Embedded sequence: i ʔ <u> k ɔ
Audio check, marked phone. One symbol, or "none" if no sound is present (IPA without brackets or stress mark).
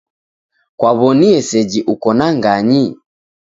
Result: u